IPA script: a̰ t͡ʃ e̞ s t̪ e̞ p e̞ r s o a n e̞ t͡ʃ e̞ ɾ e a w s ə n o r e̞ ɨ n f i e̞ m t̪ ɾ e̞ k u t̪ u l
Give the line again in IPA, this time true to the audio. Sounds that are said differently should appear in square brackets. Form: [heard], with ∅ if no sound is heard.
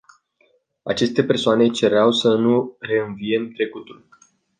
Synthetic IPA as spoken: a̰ t͡ʃ e̞ s t̪ e̞ p e̞ r s o a n e̞ t͡ʃ e̞ ɾ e a w s ə n [u] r e̞ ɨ n [v] i e̞ m t̪ ɾ e̞ k u t̪ u l